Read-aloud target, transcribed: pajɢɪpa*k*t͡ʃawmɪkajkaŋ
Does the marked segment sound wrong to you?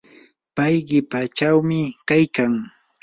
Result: yes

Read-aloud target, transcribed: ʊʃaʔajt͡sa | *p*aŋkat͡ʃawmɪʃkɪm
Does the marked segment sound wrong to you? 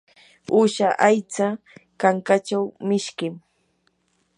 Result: yes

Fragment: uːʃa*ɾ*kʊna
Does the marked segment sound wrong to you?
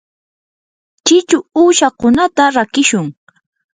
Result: yes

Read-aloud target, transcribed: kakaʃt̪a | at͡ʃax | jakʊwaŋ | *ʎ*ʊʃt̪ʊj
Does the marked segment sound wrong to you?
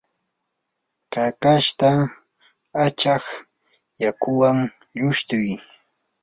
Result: no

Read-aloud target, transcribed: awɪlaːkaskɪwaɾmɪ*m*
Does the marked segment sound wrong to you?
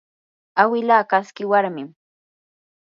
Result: no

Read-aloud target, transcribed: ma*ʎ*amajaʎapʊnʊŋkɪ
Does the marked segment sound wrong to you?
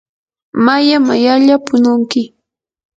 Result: yes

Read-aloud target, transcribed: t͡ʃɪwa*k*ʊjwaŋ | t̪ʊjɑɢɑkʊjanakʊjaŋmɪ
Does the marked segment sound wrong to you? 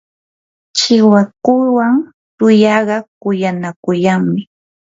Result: no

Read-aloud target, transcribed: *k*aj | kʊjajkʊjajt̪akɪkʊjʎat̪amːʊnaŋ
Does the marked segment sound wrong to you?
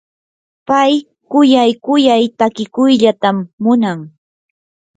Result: yes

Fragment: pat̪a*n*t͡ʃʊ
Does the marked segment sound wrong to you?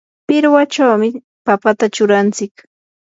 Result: yes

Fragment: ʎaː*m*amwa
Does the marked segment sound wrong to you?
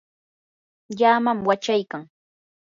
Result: no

